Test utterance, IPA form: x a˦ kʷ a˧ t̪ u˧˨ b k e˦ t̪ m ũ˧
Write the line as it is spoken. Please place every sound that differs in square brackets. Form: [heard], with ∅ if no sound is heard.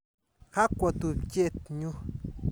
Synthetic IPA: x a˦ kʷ a˧ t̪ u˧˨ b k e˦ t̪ [ɲ] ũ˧